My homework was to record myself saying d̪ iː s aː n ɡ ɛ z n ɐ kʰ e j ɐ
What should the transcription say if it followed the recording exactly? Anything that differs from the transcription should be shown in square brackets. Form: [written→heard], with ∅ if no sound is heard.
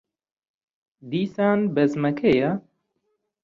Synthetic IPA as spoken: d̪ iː s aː n [ɡ→b] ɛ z [n→m] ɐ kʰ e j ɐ